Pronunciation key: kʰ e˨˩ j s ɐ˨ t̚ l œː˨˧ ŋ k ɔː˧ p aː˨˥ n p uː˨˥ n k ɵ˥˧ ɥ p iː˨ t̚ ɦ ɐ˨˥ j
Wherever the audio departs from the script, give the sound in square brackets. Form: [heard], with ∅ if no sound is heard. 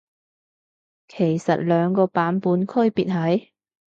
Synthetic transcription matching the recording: kʰ e˨˩ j s ɐ˨ t̚ l œː˨˧ ŋ k ɔː˧ p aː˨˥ n p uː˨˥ n [kʰ] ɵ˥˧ ɥ p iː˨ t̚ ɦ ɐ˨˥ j